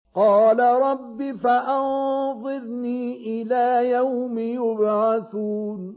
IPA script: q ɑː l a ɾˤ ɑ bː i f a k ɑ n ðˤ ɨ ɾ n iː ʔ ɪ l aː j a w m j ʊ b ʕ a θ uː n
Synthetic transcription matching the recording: q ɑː l a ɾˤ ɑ bː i f a ʔ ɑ n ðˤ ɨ ɾ n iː ʔ ɪ l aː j a w m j ʊ b ʕ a θ uː n